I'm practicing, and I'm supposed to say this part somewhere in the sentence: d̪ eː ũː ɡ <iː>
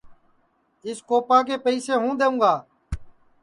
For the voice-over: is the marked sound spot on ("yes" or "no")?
no